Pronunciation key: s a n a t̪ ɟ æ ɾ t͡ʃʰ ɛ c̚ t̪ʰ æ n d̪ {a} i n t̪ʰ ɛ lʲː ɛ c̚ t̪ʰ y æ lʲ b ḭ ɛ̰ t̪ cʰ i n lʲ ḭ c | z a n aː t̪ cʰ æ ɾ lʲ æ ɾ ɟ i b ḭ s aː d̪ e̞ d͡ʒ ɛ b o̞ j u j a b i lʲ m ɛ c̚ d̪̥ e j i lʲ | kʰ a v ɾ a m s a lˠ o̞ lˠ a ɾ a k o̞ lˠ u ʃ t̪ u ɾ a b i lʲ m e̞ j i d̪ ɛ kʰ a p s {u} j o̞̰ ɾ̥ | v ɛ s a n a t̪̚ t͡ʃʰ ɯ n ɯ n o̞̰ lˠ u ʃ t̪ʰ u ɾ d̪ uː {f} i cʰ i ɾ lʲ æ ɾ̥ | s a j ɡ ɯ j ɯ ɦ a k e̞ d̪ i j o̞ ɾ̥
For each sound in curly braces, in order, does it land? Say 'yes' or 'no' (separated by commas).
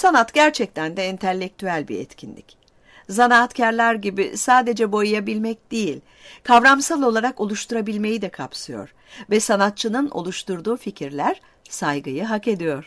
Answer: no, no, yes